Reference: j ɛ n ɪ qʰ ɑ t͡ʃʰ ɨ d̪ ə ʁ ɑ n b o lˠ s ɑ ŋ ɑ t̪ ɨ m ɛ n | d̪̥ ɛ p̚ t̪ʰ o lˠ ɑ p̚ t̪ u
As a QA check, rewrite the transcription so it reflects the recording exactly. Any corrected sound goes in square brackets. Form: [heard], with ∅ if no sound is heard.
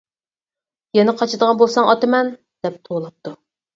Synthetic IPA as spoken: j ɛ n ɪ qʰ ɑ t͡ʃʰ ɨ d̪ ə ʁ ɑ n b o lˠ s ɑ ŋ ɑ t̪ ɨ m ɛ n | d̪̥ ɛ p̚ t̪ʰ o lˠ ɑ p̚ t̪ u